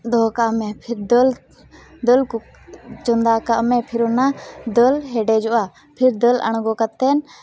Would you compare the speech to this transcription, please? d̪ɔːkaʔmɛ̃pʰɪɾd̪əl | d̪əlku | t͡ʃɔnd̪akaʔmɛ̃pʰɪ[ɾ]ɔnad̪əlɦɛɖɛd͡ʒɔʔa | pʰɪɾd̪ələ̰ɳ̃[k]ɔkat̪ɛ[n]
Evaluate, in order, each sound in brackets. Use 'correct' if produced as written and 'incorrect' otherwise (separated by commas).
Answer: correct, incorrect, correct